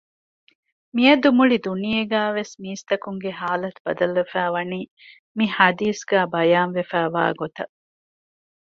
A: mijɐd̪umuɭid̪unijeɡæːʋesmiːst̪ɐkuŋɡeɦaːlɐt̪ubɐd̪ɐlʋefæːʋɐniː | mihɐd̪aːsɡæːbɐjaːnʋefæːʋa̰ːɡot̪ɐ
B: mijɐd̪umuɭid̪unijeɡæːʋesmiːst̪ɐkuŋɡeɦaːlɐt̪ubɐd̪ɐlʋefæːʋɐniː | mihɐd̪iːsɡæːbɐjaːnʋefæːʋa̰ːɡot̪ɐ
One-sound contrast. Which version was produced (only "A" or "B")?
B